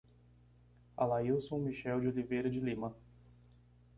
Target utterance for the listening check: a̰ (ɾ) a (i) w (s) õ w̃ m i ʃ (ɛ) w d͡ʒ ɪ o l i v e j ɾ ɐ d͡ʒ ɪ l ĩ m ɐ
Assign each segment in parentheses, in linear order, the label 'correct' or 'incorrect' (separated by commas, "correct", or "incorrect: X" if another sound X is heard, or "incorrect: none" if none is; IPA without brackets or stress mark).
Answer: incorrect: l, correct, correct, correct